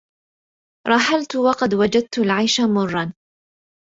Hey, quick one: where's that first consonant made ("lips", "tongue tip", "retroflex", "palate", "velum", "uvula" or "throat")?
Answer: tongue tip